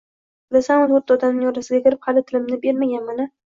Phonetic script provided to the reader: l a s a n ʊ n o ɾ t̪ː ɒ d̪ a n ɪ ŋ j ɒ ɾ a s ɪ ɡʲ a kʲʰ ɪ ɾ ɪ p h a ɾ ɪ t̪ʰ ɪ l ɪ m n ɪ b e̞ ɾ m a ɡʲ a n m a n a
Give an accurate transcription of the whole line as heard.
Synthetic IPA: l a s a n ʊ n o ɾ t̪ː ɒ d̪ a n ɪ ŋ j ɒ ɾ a s ɪ ɡʲ a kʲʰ ɪ ɾ ɪ p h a l ɪ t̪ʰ ɪ l ɪ m n ɪ b e̞ ɾ m a ɡʲ a n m a n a